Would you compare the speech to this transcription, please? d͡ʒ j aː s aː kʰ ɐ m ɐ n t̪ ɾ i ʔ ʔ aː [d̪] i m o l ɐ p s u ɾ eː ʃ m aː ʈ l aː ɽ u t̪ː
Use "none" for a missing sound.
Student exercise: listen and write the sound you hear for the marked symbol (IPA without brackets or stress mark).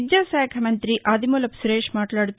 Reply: d̪